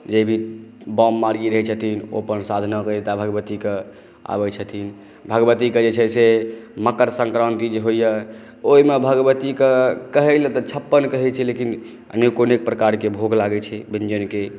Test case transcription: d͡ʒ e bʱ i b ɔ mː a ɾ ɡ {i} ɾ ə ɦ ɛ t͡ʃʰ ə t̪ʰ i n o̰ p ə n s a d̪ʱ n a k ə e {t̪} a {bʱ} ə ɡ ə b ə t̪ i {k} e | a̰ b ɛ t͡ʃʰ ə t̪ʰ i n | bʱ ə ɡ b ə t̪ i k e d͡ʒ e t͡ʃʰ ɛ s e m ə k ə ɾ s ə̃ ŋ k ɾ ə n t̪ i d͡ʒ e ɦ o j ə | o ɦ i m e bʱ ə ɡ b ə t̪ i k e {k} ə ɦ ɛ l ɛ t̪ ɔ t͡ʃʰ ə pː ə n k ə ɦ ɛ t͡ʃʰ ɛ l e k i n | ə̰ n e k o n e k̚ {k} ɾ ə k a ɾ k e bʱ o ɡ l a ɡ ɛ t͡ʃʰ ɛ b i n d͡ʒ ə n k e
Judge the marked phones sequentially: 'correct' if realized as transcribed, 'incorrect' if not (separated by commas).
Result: correct, correct, correct, correct, correct, incorrect